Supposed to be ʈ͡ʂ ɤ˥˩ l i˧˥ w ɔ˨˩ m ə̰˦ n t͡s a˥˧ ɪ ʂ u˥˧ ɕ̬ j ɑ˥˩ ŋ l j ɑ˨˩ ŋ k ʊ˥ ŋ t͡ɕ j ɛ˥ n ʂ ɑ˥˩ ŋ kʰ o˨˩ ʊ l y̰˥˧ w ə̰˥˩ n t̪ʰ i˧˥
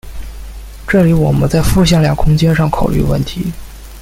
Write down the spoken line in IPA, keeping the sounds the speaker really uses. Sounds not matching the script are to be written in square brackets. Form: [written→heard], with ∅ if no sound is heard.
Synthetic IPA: ʈ͡ʂ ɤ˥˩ l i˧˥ w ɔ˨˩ m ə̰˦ n t͡s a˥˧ ɪ [ʂ→f] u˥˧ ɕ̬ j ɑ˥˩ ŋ l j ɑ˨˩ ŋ [k→kʰ] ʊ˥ ŋ t͡ɕ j ɛ˥ n ʂ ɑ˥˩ ŋ kʰ o˨˩ ʊ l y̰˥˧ w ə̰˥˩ n t̪ʰ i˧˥

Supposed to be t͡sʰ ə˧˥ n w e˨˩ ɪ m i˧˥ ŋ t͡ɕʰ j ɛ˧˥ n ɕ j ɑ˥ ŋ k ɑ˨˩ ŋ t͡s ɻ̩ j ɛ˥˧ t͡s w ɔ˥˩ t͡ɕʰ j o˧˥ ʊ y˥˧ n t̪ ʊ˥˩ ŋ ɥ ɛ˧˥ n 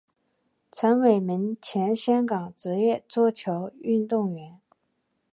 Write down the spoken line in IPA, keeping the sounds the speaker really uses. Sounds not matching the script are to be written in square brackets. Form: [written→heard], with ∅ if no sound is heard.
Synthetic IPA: t͡sʰ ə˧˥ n w e˨˩ ɪ m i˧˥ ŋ t͡ɕʰ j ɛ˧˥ n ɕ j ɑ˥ ŋ k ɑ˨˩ ŋ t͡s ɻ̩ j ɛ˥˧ t͡s w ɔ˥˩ t͡ɕʰ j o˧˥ ʊ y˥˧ n t̪ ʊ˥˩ ŋ ɥ ɛ˧˥ n

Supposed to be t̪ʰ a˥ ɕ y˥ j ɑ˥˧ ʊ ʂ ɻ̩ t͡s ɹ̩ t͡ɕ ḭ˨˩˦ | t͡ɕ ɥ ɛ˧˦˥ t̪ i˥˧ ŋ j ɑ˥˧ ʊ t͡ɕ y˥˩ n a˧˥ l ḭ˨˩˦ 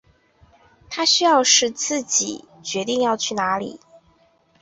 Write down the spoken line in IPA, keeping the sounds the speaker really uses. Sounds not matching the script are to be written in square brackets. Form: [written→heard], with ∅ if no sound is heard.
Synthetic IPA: t̪ʰ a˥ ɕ y˥ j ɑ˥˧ ʊ ʂ ɻ̩ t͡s ɹ̩ t͡ɕ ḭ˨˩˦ | t͡ɕ ɥ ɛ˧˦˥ t̪ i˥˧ ŋ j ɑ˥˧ ʊ [t͡ɕ→t͡ɕʰ] y˥˩ n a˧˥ l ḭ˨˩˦

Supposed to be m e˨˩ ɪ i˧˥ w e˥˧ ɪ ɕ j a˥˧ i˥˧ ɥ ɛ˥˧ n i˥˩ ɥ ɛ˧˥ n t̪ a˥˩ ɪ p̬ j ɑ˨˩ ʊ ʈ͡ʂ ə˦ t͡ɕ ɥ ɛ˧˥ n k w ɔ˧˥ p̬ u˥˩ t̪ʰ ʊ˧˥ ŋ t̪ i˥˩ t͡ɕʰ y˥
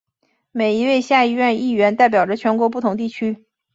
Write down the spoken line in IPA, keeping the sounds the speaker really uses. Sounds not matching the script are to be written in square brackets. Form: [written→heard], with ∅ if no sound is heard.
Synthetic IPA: m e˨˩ ɪ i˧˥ w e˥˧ ɪ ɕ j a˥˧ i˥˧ ɥ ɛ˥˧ n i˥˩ ɥ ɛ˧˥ n t̪ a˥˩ ɪ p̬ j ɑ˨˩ ʊ ʈ͡ʂ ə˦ [t͡ɕ→t͡ɕʰ] ɥ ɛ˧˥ n k w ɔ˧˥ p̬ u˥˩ t̪ʰ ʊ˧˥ ŋ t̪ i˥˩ t͡ɕʰ y˥

